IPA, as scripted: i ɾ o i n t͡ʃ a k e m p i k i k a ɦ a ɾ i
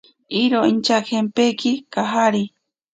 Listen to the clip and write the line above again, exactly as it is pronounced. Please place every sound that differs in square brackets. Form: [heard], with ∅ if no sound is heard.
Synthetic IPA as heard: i ɾ o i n t͡ʃ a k e m p [e] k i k a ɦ a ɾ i